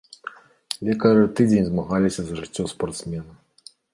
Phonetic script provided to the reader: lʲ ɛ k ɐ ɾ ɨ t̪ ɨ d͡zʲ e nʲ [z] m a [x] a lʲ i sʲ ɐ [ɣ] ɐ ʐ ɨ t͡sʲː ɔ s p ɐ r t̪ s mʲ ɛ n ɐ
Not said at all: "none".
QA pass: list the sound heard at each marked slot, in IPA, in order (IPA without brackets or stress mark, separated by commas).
z, ɣ, z